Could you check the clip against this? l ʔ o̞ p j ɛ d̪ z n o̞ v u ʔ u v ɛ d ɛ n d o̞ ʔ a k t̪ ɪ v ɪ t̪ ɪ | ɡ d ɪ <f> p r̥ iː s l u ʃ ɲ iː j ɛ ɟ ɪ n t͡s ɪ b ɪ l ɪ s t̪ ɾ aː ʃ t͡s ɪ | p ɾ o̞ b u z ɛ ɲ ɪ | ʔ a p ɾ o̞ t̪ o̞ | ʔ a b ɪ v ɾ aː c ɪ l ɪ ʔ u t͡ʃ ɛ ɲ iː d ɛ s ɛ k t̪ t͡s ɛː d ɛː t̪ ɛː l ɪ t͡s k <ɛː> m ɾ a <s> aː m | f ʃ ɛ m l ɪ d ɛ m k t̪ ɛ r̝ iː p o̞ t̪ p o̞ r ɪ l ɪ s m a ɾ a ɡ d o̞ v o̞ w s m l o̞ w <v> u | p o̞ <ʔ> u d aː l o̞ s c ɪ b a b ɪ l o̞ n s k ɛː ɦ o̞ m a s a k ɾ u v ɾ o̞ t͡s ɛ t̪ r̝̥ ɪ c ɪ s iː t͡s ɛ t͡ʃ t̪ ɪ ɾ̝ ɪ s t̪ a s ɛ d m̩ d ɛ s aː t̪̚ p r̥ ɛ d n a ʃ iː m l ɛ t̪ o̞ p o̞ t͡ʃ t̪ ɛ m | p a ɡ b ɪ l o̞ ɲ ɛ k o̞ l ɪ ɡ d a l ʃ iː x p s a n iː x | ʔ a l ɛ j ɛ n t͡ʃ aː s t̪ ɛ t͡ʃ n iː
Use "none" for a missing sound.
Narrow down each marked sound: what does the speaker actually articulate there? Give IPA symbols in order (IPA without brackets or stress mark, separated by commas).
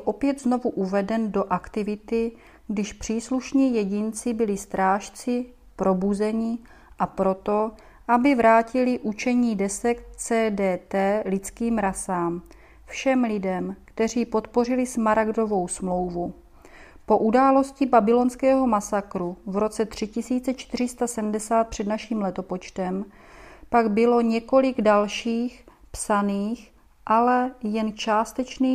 ʃ, iː, s, v, ʔ